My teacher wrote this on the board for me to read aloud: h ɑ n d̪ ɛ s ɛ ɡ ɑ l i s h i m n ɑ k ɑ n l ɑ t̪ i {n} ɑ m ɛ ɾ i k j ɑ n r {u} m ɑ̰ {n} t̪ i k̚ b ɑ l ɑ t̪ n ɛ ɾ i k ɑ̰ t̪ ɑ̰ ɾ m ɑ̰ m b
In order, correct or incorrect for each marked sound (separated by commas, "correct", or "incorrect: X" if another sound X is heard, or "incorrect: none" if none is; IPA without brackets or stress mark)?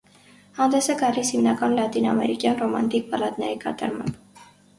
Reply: correct, incorrect: ɔ, correct